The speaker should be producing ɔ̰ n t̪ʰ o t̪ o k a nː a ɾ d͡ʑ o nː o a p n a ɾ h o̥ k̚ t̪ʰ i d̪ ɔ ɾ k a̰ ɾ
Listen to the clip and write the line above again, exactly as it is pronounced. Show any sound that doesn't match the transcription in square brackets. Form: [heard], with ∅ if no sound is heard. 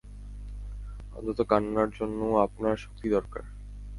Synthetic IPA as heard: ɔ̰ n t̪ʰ o t̪ o k a nː a ɾ d͡ʑ o nː o a p n a ɾ [ʃ] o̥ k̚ [t̪] i d̪ ɔ ɾ k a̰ ɾ

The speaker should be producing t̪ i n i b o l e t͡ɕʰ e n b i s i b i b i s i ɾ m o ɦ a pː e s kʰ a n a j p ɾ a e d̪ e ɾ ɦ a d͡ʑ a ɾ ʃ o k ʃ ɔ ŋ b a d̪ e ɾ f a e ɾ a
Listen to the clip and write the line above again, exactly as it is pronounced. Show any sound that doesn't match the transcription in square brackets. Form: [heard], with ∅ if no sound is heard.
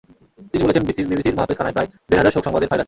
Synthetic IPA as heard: t̪ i n i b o l e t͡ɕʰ e n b i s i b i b i s i ɾ m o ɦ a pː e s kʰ a n a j p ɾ a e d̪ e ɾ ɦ a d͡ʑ a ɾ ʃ o k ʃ ɔ ŋ b a d̪ e ɾ f a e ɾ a

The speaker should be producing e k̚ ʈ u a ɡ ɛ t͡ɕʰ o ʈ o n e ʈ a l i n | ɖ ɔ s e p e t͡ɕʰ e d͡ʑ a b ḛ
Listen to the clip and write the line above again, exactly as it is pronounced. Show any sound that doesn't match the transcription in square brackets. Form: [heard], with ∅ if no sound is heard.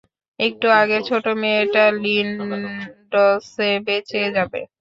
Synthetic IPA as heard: e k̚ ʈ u a ɡ [e] t͡ɕʰ o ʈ o [m] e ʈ a l i n | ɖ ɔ s e [b] e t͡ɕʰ e d͡ʑ a b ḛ

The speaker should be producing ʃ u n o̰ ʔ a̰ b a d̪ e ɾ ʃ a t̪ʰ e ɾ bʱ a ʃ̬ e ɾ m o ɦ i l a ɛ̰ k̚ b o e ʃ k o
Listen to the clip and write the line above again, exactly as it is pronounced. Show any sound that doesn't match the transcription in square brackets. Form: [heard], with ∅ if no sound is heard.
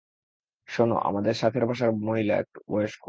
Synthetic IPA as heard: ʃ [o] n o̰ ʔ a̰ [m] a d̪ e ɾ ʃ a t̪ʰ e ɾ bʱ a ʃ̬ [a] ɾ m o ɦ i l a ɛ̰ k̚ b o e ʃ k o

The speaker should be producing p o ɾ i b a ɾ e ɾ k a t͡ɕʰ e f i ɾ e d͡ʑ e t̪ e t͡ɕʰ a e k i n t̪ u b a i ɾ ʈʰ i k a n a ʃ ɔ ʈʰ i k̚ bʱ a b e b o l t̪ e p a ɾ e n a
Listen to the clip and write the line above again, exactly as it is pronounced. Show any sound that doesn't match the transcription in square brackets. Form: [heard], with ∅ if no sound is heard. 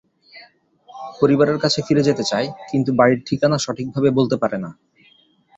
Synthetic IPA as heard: p o ɾ i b a ɾ e ɾ k a t͡ɕʰ e f i ɾ e d͡ʑ e t̪ e [t͡ɕ] a e k i n t̪ u b a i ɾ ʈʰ i k a n a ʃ ɔ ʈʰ i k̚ bʱ a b e b o l t̪ e p a ɾ e n a

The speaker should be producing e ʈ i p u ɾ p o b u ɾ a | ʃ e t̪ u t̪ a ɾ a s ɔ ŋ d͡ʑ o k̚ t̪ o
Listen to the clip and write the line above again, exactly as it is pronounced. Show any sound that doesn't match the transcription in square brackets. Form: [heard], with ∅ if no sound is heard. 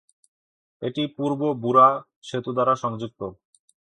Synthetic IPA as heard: e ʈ i p u ɾ [b] o b u ɾ a | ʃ e t̪ u [d̪] a ɾ a [ʃ] ɔ ŋ d͡ʑ [u] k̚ t̪ o

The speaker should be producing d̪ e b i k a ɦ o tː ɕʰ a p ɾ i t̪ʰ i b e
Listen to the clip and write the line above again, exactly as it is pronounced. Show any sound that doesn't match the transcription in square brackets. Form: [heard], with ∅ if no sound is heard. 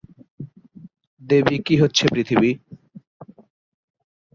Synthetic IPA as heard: d̪ e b i k [i] ɦ o tː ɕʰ [e] p ɾ i t̪ʰ i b [i]

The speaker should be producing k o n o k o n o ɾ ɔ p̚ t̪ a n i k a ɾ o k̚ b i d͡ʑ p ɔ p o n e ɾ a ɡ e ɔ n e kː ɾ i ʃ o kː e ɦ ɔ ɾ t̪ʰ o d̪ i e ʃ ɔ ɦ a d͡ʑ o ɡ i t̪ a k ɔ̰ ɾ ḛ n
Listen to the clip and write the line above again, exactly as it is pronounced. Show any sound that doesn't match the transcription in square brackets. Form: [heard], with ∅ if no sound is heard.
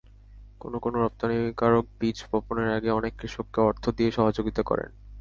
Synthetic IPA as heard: k o n o k o n o ɾ ɔ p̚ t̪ a n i k a ɾ o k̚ b i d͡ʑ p ɔ p o n e ɾ a ɡ e ɔ n e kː ɾ i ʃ o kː e [∅] ɔ ɾ t̪ʰ o d̪ i e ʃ ɔ ɦ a d͡ʑ o ɡ i t̪ a k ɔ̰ ɾ ḛ n

